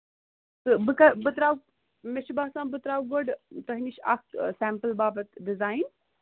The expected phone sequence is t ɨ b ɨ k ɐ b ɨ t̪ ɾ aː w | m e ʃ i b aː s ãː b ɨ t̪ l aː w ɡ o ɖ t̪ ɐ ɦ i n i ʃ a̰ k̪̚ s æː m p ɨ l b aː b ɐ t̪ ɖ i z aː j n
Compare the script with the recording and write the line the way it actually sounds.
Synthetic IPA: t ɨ b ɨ k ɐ b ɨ t̪ ɾ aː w | m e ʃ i b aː s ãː b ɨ t̪ ɾ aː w ɡ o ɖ t̪ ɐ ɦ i n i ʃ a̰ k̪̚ s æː m p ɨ l b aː b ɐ t̪ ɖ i z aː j n